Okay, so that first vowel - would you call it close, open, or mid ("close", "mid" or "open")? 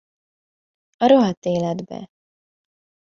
open